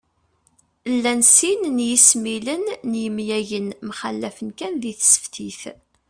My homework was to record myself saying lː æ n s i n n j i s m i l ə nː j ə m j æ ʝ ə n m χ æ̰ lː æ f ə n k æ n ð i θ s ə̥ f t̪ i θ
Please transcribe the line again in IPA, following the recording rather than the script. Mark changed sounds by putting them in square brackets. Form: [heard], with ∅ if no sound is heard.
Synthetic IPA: lː æ n s i n n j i s m i l ə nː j ə m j æ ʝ ə n m χ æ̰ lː æ f ə n k æ n ð i θ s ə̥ f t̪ i θ